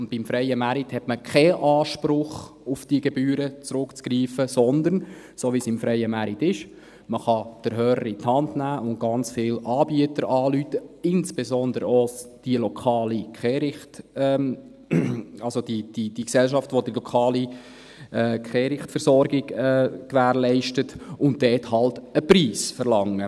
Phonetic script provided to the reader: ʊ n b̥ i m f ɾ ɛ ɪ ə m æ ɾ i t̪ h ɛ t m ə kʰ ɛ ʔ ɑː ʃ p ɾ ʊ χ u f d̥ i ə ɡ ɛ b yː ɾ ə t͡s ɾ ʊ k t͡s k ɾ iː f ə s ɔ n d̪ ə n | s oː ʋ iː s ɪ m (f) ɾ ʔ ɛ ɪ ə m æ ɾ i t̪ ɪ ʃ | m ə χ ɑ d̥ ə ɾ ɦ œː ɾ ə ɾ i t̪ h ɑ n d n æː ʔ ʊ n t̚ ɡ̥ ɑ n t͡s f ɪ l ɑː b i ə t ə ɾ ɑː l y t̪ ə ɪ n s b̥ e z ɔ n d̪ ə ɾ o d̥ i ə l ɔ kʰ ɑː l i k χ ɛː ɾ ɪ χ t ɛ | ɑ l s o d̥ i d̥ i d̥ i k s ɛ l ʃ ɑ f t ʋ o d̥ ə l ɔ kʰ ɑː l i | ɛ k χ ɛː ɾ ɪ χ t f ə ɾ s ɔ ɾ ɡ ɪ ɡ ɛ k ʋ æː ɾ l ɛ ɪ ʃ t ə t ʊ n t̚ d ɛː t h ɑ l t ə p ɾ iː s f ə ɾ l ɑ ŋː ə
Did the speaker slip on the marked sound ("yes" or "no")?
no